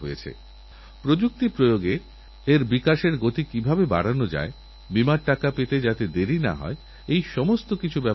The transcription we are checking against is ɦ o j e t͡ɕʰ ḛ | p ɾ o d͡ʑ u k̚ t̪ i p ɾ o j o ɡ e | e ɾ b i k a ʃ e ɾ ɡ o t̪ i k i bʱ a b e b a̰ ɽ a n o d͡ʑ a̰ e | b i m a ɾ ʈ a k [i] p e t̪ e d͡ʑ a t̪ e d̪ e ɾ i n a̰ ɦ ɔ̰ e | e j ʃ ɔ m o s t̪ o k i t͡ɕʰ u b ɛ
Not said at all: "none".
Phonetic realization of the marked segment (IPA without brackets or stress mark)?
a